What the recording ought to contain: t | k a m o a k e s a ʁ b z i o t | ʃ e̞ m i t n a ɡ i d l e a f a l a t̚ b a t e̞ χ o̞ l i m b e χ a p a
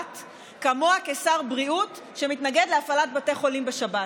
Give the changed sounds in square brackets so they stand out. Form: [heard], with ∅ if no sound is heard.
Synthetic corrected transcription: t | k a m o a k e s a ʁ b [ʁ] i [u] t | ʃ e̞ m i t n a ɡ [e] d l e a f a l a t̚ b a t e̞ χ o̞ l i m b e [ʃ] a [b] a